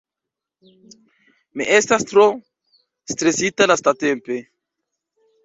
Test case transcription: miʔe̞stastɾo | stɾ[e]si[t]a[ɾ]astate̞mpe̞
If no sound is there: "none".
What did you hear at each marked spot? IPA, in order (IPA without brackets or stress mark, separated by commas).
e, t, l